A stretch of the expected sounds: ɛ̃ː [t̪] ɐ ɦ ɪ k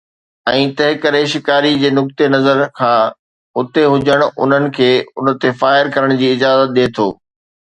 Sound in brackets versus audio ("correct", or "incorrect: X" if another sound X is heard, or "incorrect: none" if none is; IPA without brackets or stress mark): correct